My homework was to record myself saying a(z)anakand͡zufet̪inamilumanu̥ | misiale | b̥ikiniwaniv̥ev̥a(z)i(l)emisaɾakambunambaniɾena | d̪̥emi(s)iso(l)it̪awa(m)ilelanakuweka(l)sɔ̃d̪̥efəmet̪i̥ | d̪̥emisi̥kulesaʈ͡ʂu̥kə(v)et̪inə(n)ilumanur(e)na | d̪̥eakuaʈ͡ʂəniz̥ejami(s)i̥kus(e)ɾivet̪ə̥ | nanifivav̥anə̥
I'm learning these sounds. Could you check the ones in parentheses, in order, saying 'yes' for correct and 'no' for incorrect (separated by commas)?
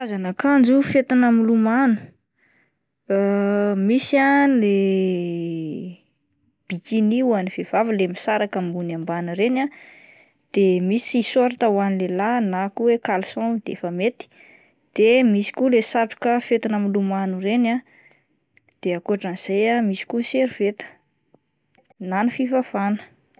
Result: yes, no, yes, yes, no, no, yes, no, no, yes, yes, yes